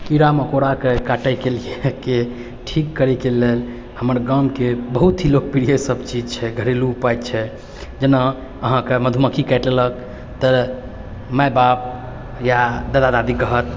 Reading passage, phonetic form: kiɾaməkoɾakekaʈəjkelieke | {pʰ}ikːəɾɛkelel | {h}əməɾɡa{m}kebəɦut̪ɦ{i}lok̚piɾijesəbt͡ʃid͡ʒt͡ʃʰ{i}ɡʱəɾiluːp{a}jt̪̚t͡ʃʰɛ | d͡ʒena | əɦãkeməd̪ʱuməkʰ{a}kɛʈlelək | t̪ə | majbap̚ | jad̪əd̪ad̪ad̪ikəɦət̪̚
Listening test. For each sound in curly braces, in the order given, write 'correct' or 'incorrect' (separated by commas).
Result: incorrect, correct, correct, correct, incorrect, correct, incorrect